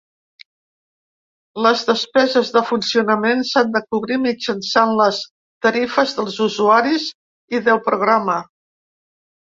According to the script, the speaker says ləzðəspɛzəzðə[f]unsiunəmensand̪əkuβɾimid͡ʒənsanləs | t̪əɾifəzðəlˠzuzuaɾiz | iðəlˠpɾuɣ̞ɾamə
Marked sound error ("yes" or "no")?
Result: no